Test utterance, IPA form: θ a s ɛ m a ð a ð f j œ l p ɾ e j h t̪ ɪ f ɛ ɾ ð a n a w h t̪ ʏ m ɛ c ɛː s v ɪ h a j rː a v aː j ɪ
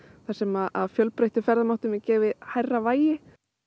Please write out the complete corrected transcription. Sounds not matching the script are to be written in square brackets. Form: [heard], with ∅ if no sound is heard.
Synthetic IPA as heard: θ a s ɛ m a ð a ð f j œ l p ɾ e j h t̪ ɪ f ɛ ɾ ð a [m] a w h t̪ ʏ m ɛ c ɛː [∅] v ɪ h a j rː a v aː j ɪ